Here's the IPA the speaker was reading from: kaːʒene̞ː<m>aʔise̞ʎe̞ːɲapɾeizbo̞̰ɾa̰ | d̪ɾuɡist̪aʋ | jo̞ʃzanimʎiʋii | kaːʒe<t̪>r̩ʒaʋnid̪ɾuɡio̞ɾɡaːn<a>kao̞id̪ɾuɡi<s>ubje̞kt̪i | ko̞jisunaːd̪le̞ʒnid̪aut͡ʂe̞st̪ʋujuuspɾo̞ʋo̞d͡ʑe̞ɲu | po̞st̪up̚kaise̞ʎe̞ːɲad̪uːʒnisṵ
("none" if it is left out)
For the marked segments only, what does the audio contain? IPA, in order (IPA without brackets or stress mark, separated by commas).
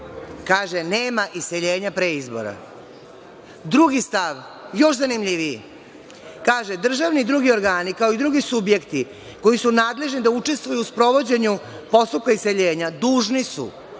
m, d̪, i, s